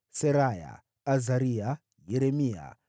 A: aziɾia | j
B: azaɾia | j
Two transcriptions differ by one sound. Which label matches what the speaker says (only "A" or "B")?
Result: B